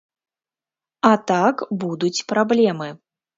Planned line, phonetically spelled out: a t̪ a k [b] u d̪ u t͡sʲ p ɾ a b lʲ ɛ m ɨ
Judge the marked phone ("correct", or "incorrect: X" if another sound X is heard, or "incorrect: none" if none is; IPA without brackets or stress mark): correct